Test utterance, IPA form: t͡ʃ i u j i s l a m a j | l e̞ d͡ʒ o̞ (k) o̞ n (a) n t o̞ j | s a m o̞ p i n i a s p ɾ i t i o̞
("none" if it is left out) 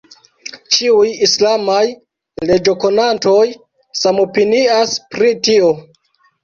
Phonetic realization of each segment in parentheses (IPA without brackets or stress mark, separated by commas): k, a